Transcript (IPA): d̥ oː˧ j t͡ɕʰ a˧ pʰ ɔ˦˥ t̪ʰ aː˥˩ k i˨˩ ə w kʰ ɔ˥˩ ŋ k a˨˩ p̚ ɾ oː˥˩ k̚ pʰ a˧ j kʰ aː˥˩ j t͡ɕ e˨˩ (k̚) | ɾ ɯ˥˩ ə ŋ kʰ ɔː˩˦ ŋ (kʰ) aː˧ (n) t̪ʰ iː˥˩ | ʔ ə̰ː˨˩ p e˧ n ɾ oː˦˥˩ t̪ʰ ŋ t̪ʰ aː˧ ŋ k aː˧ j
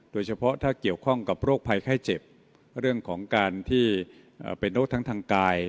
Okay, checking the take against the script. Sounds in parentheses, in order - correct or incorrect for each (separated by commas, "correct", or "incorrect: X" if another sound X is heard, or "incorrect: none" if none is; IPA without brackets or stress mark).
incorrect: p̚, incorrect: k, correct